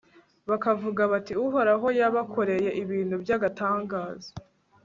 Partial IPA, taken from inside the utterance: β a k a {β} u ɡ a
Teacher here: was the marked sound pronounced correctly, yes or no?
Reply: no